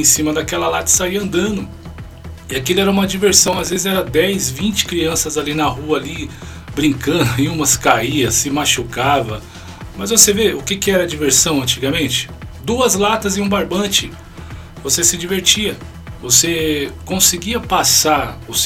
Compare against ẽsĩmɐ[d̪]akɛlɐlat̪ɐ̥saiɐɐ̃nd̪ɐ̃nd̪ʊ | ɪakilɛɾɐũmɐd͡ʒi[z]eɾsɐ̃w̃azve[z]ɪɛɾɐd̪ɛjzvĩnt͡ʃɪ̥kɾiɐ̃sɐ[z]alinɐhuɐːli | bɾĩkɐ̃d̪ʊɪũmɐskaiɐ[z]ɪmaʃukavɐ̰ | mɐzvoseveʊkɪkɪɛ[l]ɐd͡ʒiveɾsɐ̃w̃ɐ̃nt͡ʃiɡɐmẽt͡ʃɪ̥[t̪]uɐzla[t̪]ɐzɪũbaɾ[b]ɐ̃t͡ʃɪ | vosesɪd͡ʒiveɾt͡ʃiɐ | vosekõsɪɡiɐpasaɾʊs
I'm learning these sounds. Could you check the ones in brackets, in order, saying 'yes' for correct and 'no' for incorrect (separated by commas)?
yes, no, yes, yes, no, no, no, yes, yes